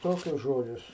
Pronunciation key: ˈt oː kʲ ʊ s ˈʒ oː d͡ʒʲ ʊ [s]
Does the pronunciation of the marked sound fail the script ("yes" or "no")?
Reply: no